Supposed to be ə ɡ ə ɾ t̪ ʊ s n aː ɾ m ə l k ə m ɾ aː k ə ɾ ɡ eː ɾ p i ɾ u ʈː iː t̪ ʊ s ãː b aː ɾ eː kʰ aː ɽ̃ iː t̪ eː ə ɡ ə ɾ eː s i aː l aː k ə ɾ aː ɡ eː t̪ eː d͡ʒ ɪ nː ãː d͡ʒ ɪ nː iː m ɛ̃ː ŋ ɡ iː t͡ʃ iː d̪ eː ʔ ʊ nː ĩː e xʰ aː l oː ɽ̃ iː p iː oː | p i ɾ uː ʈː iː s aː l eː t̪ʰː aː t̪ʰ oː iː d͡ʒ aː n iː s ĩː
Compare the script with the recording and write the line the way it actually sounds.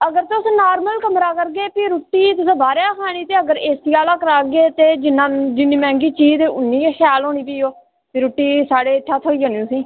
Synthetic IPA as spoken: ə ɡ ə ɾ t̪ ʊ s n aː ɾ m ə l k ə m ɾ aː k ə ɾ ɡ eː p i ɾ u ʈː iː t̪ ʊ s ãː b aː ɾ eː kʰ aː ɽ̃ iː t̪ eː ə ɡ ə ɾ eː s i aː l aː k ə ɾ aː ɡ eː t̪ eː d͡ʒ ɪ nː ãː d͡ʒ ɪ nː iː m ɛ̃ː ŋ ɡ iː t͡ʃ iː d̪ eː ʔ ʊ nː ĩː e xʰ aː l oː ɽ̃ iː p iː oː | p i ɾ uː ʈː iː s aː ɽ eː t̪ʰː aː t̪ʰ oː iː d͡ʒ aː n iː s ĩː